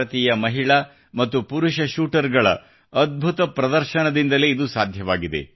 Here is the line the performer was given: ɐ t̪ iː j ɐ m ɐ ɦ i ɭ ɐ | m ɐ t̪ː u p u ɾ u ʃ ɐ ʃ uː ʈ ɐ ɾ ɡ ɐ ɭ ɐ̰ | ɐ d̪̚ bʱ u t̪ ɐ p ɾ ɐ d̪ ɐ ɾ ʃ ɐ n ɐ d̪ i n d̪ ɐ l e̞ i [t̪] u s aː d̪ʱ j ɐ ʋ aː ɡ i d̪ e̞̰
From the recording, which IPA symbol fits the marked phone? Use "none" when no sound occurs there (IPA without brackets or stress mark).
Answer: d̪